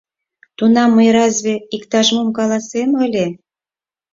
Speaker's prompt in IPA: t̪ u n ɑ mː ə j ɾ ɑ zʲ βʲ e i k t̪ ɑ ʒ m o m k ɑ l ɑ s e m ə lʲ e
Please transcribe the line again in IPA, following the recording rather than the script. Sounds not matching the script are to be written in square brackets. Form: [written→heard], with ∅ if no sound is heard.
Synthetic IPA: t̪ u n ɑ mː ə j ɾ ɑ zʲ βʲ e i k t̪ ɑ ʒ m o m k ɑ l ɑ s e m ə lʲ e

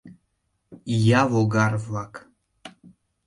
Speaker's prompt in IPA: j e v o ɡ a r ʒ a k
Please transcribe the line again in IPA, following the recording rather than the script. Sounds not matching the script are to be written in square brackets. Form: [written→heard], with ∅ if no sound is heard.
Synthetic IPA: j [e→a] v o ɡ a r [ʒ→v] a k

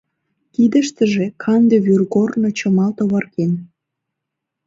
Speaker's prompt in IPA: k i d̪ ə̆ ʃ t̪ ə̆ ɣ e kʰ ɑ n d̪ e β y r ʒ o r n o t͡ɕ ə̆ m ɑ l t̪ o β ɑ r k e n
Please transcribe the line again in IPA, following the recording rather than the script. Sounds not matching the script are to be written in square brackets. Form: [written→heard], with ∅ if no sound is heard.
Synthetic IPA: k i d̪ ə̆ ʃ t̪ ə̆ [ɣ→ʒ] e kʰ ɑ n d̪ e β y r [ʒ→ɣ] o r n o t͡ɕ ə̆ m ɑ l t̪ o β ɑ r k e n

